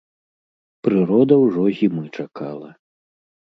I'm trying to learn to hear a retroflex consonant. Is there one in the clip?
yes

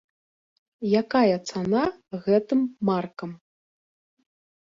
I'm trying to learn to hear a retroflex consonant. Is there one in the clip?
no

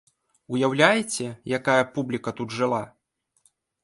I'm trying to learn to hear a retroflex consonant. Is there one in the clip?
yes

